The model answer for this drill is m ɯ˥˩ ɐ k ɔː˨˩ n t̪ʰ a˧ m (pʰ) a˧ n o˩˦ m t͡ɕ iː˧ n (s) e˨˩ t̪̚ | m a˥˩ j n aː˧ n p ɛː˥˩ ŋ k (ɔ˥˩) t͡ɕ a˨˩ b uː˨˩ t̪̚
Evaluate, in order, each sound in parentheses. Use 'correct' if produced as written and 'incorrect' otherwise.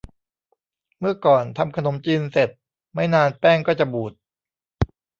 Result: incorrect, correct, incorrect

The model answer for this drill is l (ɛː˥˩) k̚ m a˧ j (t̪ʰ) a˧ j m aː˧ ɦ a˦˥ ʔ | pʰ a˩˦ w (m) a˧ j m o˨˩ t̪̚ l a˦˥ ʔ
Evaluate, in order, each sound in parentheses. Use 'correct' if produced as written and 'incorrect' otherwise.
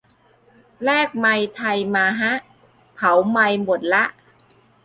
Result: correct, correct, correct

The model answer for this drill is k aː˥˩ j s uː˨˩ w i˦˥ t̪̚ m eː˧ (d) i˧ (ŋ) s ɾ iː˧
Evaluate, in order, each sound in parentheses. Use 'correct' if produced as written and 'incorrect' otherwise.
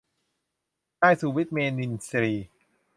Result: incorrect, incorrect

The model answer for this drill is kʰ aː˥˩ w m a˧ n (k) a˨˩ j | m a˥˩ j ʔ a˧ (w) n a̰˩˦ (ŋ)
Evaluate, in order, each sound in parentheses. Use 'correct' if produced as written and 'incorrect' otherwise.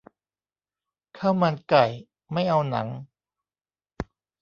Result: correct, correct, correct

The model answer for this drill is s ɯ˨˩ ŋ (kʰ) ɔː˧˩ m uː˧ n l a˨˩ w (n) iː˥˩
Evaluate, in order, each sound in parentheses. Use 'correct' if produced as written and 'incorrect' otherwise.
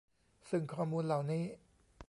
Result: correct, correct

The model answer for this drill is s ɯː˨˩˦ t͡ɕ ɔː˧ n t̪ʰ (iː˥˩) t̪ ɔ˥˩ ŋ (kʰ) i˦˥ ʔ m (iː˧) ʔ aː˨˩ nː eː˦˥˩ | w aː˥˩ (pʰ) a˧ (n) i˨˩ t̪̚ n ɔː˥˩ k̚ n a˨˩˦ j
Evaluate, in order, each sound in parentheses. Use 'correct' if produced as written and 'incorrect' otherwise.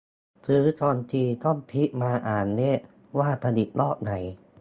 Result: incorrect, incorrect, incorrect, correct, correct

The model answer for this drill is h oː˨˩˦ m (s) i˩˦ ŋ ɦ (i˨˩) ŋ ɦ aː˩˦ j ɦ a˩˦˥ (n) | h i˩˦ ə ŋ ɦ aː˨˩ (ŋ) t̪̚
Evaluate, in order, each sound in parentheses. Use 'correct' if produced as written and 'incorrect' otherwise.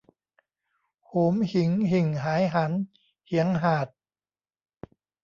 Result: incorrect, correct, correct, incorrect

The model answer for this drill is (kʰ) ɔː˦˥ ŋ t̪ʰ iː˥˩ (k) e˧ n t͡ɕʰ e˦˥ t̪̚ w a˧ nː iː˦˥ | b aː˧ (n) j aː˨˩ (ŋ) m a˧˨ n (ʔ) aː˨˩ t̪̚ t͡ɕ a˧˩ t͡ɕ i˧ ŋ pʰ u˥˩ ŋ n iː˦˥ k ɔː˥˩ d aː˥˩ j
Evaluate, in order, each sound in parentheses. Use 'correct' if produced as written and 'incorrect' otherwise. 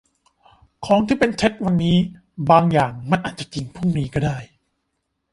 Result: correct, incorrect, incorrect, correct, correct

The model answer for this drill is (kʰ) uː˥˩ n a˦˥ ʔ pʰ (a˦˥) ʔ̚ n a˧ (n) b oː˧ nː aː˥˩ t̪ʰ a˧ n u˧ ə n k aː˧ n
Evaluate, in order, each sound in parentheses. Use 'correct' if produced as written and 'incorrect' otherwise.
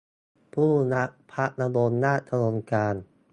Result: incorrect, correct, incorrect

